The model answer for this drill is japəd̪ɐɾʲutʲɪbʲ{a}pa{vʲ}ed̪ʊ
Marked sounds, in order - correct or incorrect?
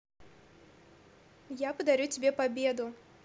incorrect: e, incorrect: bʲ

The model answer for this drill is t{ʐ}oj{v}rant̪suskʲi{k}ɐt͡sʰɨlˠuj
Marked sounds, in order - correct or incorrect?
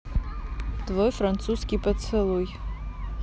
incorrect: v, incorrect: f, incorrect: p

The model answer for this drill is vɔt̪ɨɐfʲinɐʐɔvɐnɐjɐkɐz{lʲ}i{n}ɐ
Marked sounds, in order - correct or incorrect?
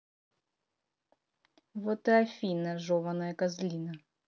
correct, correct

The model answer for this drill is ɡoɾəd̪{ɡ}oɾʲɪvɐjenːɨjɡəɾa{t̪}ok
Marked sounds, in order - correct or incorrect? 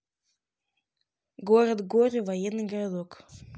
correct, incorrect: d̪

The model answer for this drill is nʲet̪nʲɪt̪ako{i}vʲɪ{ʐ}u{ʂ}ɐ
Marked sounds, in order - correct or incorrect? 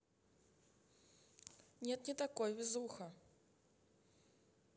incorrect: j, incorrect: z, incorrect: x

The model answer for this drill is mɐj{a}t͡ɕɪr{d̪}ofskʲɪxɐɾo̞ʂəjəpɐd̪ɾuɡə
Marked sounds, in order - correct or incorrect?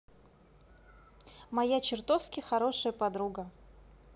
correct, incorrect: t̪

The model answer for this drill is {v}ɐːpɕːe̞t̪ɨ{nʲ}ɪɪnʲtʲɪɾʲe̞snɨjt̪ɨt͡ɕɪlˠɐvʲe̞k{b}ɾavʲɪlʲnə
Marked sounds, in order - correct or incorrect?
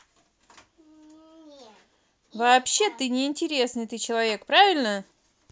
correct, correct, incorrect: p

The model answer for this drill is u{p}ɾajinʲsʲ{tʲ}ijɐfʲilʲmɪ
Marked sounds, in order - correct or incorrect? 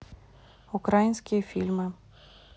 incorrect: k, incorrect: kʲ

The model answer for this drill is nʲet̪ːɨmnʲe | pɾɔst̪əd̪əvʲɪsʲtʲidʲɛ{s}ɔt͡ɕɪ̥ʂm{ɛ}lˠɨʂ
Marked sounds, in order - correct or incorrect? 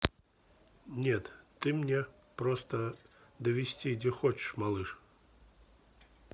incorrect: x, incorrect: a

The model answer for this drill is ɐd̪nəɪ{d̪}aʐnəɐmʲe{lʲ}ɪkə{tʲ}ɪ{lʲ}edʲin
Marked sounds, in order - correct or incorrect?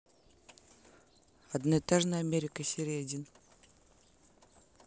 incorrect: t̪, incorrect: ɾʲ, incorrect: sʲ, incorrect: ɾʲ

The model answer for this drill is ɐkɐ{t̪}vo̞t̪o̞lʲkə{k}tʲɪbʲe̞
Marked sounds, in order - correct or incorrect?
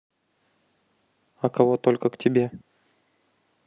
incorrect: none, correct

